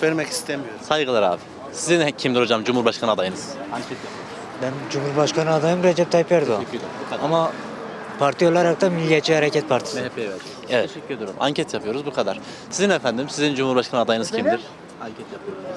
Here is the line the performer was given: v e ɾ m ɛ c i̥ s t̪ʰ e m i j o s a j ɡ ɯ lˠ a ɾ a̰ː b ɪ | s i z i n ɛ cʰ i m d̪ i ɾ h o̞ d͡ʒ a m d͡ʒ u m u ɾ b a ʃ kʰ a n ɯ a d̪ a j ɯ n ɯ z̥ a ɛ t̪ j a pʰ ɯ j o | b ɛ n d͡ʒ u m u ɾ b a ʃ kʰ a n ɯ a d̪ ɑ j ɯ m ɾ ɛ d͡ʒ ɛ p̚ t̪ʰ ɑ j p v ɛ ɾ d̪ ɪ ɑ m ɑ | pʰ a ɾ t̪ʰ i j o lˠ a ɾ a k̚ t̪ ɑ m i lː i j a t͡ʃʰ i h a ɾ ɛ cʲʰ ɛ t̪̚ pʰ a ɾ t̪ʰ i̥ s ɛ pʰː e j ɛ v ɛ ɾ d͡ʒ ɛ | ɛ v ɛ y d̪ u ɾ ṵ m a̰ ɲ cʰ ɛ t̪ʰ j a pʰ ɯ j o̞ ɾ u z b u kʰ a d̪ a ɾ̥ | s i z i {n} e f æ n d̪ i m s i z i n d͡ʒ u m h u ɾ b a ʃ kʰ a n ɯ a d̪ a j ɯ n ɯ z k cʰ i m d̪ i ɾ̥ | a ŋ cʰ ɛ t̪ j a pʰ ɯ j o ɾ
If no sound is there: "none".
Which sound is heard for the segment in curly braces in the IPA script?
n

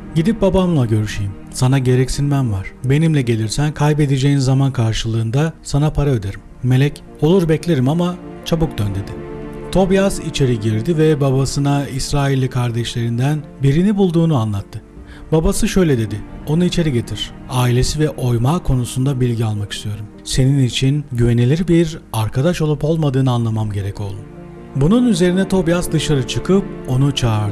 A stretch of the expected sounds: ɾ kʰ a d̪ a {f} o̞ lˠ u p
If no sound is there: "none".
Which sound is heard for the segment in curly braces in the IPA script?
ʃ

